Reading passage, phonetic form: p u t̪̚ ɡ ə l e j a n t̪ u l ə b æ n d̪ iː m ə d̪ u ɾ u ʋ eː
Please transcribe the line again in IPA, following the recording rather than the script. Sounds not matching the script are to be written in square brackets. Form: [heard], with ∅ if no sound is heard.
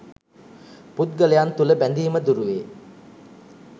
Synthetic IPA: p u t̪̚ ɡ ə l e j a n t̪ u l ə b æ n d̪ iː m ə d̪ u ɾ u ʋ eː

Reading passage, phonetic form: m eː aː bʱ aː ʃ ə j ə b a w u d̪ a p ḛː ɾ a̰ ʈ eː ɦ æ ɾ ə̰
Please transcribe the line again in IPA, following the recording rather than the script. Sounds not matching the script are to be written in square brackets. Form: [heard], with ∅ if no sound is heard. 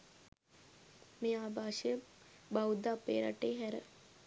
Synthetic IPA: m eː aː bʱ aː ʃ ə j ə b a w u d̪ a p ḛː ɾ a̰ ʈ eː ɦ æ ɾ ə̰

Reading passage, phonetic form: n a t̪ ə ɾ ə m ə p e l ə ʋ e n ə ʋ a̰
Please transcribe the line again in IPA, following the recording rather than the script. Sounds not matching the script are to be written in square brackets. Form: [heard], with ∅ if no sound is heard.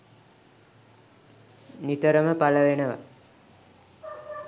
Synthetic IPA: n [i] t̪ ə ɾ ə m ə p [a] l ə ʋ e n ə ʋ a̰

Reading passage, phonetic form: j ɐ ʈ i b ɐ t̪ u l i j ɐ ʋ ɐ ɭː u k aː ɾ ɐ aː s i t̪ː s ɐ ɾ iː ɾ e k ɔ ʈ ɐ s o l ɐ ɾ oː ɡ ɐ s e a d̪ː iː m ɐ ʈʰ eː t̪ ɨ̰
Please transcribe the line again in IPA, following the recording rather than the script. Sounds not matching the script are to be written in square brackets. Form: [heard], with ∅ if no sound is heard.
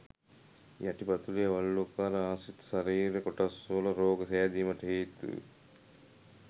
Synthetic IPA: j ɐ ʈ i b ɐ t̪ u l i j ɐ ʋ ɐ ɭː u k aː ɾ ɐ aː s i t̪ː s ɐ ɾ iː ɾ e k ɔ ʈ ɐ s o l ɐ ɾ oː ɡ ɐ s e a [d̪] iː m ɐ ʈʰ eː t̪ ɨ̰

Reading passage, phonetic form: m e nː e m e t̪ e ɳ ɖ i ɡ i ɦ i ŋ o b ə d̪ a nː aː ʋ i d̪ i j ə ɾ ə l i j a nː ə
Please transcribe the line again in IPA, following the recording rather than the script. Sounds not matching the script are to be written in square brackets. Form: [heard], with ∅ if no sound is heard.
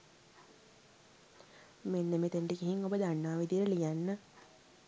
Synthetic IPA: m e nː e m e t̪ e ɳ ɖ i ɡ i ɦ i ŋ o b ə d̪ a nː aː ʋ i d̪ i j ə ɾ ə l i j a nː ə

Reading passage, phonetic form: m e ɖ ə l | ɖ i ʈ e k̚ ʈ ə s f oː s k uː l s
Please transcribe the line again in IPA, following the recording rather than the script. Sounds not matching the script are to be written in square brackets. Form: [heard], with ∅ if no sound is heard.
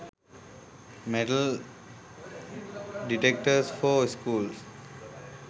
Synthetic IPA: m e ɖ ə l | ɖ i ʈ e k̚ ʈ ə s f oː s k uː l s

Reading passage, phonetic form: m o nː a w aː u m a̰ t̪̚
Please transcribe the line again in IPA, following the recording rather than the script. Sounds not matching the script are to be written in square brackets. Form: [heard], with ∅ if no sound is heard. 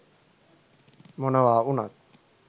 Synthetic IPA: m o [n] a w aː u [n] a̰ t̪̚

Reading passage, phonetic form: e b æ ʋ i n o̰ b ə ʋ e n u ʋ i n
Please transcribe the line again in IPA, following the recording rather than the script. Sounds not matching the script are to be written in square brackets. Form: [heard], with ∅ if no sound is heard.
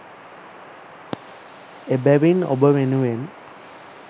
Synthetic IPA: e b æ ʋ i n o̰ b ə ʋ e n u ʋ [e] n

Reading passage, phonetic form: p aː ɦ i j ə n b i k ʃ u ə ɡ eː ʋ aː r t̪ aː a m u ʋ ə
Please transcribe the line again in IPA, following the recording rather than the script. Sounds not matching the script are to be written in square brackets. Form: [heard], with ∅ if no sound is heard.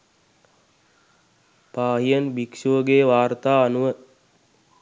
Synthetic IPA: p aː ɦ i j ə n b i k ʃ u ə ɡ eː ʋ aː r t̪ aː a [n] u ʋ ə

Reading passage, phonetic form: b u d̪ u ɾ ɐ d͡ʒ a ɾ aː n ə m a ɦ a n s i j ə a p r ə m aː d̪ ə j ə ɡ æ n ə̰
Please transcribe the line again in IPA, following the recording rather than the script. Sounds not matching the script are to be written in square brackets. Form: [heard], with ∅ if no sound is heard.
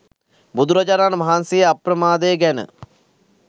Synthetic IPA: b u d̪ u ɾ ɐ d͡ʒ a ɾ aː n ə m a ɦ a n s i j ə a p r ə m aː d̪ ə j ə ɡ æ n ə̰

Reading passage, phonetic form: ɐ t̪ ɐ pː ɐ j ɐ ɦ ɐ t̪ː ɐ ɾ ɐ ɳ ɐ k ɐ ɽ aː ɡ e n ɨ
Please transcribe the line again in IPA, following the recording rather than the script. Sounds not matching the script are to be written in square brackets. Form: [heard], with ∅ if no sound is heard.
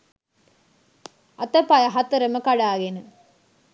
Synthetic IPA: ɐ t̪ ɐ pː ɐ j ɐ ɦ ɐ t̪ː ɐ ɾ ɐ [m] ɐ k ɐ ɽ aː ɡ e n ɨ

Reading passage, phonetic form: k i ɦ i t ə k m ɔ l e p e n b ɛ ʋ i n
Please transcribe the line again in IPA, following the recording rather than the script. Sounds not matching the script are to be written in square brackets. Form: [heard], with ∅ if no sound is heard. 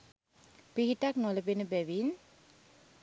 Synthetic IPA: [p] i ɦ i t [a] k [n] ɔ l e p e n b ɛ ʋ i n

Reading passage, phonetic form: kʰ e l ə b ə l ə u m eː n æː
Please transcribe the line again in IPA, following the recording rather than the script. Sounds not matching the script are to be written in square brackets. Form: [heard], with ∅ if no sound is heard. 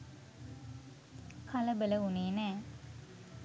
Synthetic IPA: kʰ [a] l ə b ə l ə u [n] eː n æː

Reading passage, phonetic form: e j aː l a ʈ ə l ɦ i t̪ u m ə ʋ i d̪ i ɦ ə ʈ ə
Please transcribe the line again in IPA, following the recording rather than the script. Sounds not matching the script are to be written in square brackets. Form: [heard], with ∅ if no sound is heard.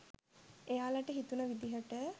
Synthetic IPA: e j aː l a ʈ ə [∅] ɦ i t̪ u [n] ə ʋ i d̪ i ɦ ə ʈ ə

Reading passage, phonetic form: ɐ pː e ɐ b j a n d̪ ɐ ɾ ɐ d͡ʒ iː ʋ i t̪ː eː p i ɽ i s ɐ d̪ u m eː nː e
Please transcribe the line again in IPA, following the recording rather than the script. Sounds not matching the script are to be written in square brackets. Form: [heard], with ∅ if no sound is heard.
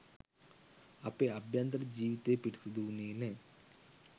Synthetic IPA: ɐ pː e ɐ b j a n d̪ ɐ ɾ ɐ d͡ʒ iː ʋ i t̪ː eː p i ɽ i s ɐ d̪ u [n] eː [n] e

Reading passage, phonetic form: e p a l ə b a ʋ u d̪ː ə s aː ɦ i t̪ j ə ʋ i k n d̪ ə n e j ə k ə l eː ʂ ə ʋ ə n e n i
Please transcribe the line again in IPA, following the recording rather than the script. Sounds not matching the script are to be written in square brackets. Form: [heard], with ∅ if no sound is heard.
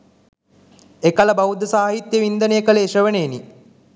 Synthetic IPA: e [k] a l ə b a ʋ u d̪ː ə s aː ɦ i t̪ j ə ʋ i [∅] n d̪ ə n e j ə k ə l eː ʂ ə ʋ ə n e n i

